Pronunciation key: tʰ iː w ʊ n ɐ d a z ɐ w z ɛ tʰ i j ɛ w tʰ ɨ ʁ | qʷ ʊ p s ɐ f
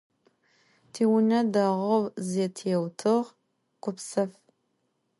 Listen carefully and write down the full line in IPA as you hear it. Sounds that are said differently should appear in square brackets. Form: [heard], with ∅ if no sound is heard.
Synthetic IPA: tʰ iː w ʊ n ɐ d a [ʁ] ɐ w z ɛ tʰ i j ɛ w tʰ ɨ ʁ | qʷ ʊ p s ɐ f

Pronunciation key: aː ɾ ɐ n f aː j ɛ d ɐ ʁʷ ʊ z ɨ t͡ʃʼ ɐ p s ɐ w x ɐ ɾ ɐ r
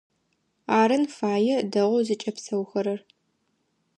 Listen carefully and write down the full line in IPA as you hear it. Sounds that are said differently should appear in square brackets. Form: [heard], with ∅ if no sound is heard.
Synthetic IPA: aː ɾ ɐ n f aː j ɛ d ɐ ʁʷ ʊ z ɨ t͡ʃʼ ɐ p s ɐ w x ɐ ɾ ɐ r

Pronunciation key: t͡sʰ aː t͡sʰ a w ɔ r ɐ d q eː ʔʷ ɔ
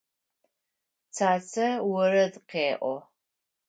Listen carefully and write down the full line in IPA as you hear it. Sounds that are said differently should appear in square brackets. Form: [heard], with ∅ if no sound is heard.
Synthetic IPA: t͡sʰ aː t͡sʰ [ɐ] w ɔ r ɐ d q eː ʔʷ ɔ

